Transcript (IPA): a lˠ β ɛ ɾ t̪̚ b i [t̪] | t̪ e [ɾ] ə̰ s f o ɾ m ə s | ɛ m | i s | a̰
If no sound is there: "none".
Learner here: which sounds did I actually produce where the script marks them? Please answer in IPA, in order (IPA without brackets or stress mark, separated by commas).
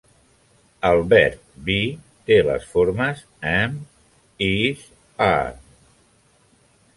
none, l